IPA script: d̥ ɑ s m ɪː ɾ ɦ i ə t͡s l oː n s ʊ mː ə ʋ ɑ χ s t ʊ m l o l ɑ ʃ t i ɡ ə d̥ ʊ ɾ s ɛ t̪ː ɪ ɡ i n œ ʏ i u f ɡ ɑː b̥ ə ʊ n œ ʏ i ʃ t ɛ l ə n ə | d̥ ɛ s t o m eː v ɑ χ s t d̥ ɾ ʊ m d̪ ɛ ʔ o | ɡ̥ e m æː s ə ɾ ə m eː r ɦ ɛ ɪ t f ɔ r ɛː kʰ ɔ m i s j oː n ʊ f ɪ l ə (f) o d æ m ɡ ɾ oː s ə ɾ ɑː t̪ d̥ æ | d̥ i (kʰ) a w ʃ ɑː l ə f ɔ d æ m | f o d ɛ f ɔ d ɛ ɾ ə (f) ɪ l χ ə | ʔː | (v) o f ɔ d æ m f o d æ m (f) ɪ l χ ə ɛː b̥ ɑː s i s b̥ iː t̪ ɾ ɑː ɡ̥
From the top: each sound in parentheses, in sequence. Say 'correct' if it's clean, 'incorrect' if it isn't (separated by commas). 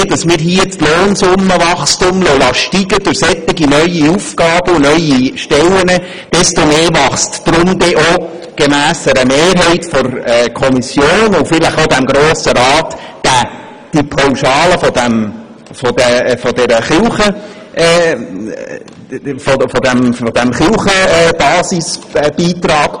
incorrect, incorrect, incorrect, incorrect, incorrect